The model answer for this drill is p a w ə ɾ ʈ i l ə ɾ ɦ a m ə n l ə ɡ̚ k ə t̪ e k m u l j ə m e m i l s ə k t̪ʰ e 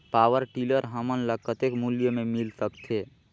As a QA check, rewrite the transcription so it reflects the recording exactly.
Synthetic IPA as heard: p a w ə ɾ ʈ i l ə ɾ ɦ ə m ə n l ə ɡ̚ k ə t̪ e k m u l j ə m e m i l s ə k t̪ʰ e